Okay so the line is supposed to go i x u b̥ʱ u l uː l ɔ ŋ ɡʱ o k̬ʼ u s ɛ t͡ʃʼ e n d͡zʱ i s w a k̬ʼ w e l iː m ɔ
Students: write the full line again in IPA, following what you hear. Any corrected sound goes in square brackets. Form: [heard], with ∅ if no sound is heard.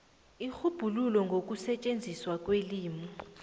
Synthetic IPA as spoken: i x u b̥ʱ u l [u] l ɔ ŋ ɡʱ o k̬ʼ u s ɛ t͡ʃʼ e n d͡zʱ i s w a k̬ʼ w e l iː m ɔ

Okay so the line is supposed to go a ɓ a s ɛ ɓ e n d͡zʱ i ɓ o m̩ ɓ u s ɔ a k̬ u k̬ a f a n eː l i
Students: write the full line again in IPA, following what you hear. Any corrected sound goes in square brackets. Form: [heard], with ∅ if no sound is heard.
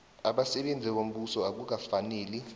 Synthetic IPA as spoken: a ɓ a s ɛ ɓ e n d͡zʱ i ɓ o m̩ ɓ u s ɔ a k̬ u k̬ a f a n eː l i

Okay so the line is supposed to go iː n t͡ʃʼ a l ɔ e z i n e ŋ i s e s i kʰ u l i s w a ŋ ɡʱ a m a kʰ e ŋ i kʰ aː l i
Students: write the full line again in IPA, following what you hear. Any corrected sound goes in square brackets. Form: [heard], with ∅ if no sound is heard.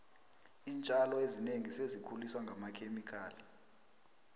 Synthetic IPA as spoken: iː n t͡ʃʼ a l ɔ e z i n e ŋ i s e [z] i kʰ u l i s w a ŋ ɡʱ a m a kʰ e [m] i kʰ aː l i

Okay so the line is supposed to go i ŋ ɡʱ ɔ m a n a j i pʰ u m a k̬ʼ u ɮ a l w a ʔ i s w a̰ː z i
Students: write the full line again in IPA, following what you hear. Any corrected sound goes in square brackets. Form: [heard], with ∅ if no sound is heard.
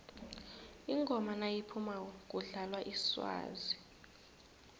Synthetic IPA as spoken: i ŋ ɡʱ ɔ m a n a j i pʰ u m a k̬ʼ u ɮ a l w a ʔ i s w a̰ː z i

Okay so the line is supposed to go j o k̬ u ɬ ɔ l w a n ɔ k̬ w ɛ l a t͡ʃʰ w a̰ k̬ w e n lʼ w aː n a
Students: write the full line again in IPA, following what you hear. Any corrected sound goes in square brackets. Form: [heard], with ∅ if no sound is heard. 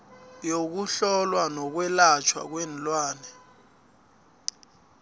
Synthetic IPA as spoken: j o k̬ u ɬ ɔ l w a n ɔ k̬ w ɛ l a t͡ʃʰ w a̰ k̬ w [ɛ] n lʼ w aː n [ɛ]

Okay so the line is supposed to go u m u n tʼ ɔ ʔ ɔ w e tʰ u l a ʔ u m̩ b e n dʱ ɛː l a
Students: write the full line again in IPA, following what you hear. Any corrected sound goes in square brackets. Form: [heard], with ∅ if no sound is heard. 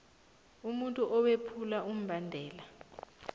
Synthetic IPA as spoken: u m u n tʼ [u] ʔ ɔ w e [pʰ] u l a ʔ u m̩ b [a] n dʱ ɛː l a

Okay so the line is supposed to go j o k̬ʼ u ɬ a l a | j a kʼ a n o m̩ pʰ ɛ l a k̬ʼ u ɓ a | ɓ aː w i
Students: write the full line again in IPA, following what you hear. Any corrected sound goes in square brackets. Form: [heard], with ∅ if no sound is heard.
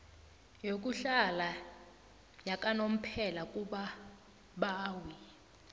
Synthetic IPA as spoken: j o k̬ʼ u ɬ a l a | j a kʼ a n o m̩ pʰ ɛ l a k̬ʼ u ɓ a | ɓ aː w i

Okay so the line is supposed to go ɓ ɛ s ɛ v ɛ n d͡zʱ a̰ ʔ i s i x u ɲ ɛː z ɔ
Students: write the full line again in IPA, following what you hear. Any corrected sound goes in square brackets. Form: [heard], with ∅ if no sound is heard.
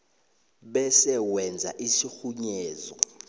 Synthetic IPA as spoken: ɓ ɛ s ɛ [w] ɛ n d͡zʱ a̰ ʔ i s i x u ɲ ɛː z ɔ

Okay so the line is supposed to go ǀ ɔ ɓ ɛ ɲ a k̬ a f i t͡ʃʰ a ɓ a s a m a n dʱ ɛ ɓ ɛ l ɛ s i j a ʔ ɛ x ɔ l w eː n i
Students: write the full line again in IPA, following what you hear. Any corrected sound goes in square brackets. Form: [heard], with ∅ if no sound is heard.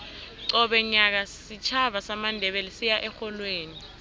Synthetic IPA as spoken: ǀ ɔ ɓ ɛ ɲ a k̬ a [s] i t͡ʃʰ a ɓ a s a m a n dʱ ɛ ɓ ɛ l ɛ s i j a ʔ ɛ x ɔ l w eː n i

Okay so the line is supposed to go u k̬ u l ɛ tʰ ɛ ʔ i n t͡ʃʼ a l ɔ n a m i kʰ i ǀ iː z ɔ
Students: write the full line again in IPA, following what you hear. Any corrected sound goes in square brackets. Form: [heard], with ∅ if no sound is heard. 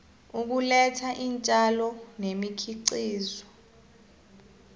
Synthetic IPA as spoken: u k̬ u l ɛ tʰ [a] ʔ i n t͡ʃʼ a l ɔ n [e] m i kʰ i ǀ iː z ɔ

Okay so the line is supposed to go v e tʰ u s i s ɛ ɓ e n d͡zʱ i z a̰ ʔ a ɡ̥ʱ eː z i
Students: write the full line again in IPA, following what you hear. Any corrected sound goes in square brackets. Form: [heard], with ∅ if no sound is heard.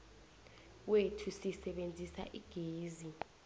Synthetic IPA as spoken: [w] e tʰ u s i s ɛ ɓ e n d͡zʱ i [s] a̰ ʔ [i] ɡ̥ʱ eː z i

